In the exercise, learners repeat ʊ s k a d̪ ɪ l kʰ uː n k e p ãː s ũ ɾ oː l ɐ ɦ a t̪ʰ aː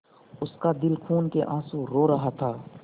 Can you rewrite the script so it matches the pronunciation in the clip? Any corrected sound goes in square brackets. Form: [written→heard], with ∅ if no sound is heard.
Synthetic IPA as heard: ʊ s k a d̪ ɪ l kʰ uː n k e [p→ʔ] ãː s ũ ɾ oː [l→ɾ] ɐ ɦ a t̪ʰ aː

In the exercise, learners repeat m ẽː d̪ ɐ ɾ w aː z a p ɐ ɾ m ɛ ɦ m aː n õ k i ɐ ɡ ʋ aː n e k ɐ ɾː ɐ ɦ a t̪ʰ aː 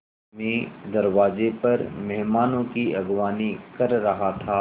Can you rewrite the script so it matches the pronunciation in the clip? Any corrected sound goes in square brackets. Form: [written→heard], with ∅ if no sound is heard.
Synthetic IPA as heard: m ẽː d̪ ɐ ɾ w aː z [a→e] p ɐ ɾ m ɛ ɦ m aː n õ k i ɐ ɡ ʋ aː n [e→i] k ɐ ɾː ɐ ɦ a t̪ʰ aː

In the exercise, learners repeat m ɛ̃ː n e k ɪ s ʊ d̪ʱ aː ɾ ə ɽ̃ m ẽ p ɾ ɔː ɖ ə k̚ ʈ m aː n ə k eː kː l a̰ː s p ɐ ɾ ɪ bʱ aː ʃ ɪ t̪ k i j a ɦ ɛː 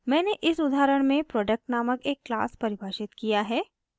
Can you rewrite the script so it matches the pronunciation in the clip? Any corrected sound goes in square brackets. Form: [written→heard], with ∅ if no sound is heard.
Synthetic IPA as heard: m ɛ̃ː n e [k→ʔ] ɪ s ʊ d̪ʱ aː ɾ ə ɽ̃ m ẽ p ɾ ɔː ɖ ə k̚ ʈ [m→n] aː [n→m] ə k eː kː l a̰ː s p ɐ ɾ ɪ bʱ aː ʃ ɪ t̪ k i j a ɦ ɛː

